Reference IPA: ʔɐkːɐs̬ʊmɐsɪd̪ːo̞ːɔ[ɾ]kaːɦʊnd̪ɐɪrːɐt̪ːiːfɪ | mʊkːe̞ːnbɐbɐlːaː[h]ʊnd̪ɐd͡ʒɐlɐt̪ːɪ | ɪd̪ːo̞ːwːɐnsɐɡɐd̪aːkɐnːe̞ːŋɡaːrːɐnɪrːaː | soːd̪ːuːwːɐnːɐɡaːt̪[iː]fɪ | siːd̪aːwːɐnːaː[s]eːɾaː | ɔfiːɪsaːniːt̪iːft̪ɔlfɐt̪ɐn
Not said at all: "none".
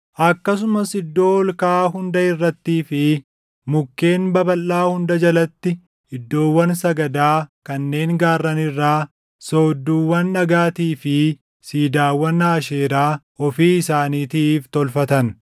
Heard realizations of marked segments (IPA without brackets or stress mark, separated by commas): l, h, iː, ʃ